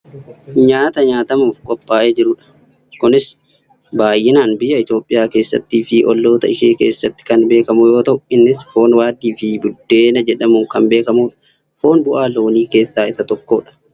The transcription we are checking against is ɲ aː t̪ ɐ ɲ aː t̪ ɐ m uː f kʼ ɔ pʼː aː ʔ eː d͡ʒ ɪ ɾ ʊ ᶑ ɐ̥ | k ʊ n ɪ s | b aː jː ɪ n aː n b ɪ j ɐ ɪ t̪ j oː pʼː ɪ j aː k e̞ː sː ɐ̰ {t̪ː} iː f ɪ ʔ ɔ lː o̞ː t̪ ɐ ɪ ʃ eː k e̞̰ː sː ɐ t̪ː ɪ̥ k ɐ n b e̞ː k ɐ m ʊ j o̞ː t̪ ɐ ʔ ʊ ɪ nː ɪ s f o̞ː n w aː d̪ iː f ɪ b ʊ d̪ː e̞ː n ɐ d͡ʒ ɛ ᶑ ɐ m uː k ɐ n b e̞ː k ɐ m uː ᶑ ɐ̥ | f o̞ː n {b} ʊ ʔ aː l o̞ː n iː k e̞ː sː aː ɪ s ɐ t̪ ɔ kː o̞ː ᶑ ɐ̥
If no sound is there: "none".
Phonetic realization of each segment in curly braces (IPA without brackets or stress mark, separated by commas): t̪ː, b